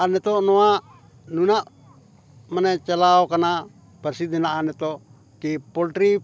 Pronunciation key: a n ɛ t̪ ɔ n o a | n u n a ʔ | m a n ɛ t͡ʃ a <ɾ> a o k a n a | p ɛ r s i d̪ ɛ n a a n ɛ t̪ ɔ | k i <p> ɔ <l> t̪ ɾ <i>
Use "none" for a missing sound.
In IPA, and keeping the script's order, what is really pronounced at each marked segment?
l, p, l, i

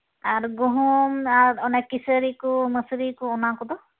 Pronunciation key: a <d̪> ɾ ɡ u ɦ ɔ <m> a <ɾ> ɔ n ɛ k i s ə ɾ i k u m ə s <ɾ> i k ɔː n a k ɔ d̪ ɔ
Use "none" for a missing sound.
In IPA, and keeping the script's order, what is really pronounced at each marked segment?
none, m, ɾ, ɾ

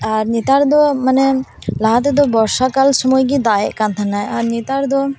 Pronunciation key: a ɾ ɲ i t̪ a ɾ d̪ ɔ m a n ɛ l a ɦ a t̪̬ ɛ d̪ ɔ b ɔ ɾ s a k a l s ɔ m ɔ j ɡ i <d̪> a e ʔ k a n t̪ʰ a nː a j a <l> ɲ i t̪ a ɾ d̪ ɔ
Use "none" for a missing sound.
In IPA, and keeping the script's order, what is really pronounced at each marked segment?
d̪, ɾ

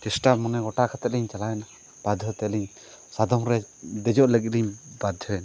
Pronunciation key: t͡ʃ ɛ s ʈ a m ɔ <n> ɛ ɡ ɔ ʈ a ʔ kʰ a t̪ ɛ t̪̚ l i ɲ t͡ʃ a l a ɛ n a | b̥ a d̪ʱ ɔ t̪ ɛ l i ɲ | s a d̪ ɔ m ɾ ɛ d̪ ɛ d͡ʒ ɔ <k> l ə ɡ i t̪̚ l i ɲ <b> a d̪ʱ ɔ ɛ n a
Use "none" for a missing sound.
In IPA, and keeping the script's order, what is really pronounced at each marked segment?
n, ʔ, b

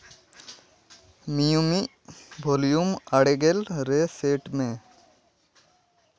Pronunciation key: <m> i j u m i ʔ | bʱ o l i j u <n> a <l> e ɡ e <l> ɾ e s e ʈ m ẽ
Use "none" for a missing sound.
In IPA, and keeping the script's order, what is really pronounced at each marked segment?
m, m, ɽ, l

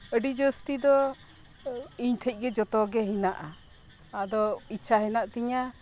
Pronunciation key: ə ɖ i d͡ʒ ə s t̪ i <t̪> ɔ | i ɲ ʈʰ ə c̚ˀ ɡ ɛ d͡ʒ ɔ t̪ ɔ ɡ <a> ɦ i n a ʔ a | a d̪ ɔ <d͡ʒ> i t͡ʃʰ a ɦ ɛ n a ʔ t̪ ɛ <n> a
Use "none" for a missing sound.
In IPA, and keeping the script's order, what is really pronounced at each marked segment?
d̪, ɛ, none, ɲ

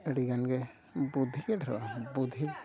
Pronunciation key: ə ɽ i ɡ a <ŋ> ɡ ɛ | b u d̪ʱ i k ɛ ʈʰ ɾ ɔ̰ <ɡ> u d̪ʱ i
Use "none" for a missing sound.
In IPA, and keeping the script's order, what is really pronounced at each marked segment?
n, b

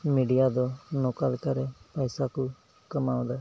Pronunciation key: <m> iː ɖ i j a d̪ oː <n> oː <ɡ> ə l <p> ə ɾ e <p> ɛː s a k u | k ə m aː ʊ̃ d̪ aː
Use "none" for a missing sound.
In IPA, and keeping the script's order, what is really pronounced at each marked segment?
m, n, k, k, p

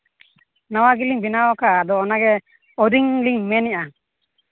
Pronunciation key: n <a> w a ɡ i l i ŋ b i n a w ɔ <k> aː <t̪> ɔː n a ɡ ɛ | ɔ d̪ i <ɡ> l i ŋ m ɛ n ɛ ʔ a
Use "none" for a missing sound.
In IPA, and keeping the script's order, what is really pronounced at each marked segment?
a, k, d̪, ŋ

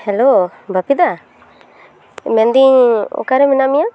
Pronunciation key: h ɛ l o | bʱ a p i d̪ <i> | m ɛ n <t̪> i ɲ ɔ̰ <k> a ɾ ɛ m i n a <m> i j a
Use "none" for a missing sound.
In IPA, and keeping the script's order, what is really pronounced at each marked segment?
a, d̪, k, m

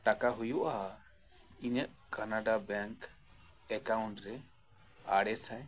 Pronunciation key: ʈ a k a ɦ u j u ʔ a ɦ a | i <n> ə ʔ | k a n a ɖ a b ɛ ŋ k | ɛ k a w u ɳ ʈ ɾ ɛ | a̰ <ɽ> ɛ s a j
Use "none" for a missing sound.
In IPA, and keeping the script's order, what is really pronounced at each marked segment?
ɲ, ɽ

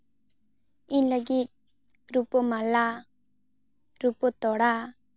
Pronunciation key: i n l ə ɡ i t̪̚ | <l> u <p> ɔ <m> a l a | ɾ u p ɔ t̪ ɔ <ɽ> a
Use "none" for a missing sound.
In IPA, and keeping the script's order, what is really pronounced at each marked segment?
ɾ, p, m, ɽ

